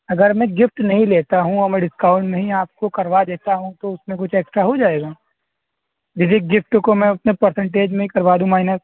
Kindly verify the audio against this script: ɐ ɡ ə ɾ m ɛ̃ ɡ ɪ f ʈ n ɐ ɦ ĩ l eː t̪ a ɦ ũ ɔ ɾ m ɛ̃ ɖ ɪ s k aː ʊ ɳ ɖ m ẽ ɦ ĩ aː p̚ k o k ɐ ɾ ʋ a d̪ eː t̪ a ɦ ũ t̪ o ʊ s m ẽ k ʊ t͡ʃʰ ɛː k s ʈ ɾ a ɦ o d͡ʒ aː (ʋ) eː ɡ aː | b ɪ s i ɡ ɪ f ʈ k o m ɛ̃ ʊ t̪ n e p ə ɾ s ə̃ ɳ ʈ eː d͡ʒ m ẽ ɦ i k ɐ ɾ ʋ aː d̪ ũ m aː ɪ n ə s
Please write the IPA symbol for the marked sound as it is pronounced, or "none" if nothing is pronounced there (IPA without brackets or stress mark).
none